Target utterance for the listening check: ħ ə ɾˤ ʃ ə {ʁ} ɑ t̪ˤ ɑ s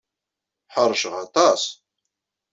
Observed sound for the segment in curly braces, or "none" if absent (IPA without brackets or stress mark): ʁ